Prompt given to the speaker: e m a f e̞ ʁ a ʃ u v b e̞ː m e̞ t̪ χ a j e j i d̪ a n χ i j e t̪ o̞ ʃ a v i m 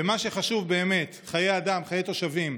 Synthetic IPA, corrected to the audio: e m a ʃ e̞ χ a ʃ u v b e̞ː m e̞ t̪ χ a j e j a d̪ a m χ a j e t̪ o̞ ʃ a v i m